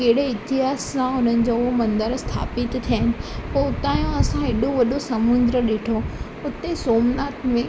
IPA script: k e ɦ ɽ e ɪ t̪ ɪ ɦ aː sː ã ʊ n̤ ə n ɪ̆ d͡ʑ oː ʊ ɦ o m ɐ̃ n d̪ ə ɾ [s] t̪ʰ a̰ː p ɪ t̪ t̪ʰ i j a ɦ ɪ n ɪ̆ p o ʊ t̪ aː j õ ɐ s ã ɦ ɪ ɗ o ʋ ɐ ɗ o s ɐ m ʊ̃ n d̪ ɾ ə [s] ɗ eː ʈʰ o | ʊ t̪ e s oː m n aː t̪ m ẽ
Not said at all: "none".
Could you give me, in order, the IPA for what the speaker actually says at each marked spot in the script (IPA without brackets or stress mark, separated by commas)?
s, none